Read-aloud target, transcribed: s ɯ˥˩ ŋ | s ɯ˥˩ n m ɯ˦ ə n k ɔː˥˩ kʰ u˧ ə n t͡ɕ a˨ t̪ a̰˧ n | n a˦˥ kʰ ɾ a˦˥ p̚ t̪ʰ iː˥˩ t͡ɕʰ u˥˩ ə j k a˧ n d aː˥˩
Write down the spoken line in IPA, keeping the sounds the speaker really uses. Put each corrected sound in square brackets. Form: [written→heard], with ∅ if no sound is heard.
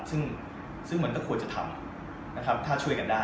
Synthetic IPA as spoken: s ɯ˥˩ ŋ | s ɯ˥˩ [n→ŋ] m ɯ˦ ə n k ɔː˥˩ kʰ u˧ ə n t͡ɕ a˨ [t̪→t̪ʰ] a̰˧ [n→m] | n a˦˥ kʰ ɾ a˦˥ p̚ t̪ʰ [iː˥˩→aː˥˩] t͡ɕʰ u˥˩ ə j k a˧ n d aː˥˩